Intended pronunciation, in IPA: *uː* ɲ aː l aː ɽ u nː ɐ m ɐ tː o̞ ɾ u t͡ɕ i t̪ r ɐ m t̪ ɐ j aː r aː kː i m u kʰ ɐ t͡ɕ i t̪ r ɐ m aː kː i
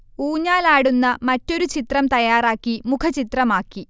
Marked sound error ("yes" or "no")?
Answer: no